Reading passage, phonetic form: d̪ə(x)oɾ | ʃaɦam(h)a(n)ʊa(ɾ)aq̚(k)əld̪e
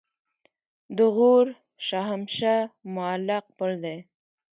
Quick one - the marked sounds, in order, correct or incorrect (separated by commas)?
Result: incorrect, incorrect, incorrect, incorrect, incorrect